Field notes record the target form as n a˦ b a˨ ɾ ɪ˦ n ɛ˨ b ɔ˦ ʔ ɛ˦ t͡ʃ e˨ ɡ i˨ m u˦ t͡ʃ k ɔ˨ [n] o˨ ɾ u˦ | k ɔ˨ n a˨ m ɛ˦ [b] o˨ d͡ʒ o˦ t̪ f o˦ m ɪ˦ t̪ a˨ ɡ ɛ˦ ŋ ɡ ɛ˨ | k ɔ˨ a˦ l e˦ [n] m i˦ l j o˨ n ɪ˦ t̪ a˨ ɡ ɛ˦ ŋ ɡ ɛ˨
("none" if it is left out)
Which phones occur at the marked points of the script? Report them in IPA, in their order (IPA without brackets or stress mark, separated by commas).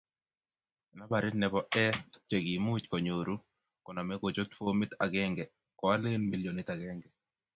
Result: ɲ, ɡ, n